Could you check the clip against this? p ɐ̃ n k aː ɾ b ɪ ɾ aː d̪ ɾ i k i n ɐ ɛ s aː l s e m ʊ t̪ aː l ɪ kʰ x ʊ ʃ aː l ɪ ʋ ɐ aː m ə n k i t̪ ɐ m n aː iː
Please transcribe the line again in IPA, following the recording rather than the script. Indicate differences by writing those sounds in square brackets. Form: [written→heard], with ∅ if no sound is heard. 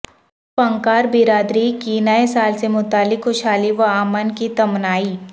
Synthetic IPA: p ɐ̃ [n→ŋ] k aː ɾ b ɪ ɾ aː d̪ ɾ i k i n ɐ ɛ s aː l s e m ʊ t̪ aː l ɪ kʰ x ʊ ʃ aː l [ɪ→i] ʋ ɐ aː m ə n k i t̪ ɐ m n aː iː